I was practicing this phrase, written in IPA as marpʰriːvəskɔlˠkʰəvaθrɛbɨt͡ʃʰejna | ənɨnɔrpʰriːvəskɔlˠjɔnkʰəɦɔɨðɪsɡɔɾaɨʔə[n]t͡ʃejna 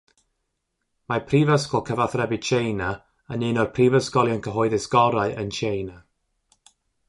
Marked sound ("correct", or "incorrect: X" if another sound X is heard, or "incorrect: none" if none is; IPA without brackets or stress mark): correct